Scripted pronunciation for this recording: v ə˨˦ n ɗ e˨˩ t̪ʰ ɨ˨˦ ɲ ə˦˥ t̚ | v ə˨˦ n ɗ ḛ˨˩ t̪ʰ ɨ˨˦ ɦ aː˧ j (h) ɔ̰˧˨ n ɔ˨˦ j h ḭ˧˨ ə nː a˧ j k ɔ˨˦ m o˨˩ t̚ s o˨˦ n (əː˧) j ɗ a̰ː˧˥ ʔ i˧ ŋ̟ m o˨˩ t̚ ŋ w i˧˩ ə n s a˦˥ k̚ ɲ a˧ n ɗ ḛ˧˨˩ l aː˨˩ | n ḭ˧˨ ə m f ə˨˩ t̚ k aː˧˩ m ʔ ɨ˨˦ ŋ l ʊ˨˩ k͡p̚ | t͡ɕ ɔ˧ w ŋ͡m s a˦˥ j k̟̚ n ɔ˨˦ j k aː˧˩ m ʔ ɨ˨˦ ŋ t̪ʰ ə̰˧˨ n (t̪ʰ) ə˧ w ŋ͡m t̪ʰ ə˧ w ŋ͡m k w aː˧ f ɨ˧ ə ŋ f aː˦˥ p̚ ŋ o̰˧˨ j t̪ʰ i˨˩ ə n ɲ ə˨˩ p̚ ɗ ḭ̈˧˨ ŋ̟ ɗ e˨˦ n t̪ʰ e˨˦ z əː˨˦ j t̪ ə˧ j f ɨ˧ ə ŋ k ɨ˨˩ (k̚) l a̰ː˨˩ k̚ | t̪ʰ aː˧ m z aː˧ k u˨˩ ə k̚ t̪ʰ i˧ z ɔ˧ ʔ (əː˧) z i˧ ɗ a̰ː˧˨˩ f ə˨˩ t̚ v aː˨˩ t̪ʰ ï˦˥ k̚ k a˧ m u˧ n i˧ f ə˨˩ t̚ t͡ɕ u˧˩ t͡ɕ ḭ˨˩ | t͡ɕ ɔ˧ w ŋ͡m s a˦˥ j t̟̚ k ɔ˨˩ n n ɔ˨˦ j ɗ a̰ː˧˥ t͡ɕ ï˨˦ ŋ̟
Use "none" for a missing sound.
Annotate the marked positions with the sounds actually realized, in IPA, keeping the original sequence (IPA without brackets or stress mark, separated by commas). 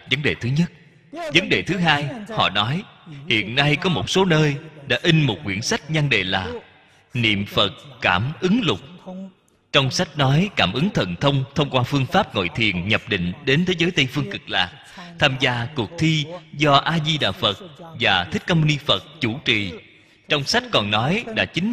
h, əː˧, t̪ʰ, k̚, aː˧